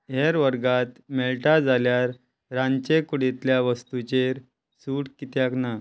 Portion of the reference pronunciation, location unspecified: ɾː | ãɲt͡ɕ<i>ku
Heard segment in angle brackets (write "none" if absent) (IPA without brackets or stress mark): e